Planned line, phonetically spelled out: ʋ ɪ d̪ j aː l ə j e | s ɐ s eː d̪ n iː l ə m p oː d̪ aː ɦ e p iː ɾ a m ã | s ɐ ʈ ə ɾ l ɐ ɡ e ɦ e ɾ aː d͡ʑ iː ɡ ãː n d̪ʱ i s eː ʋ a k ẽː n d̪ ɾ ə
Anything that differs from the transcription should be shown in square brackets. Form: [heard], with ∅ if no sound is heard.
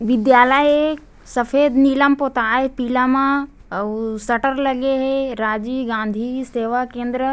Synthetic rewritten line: ʋ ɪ d̪ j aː l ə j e | s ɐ [f] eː d̪ n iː l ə m p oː [t̪] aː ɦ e p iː [l] a m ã | s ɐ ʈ ə ɾ l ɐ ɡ e ɦ e ɾ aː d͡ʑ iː ɡ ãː n d̪ʱ i s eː ʋ a k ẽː n d̪ ɾ ə